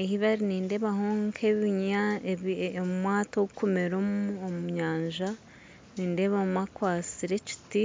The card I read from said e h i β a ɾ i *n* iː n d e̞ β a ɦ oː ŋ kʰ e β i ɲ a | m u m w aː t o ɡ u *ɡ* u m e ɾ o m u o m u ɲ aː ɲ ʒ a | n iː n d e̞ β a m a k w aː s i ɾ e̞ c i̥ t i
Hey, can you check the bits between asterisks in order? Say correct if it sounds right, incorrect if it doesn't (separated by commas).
correct, incorrect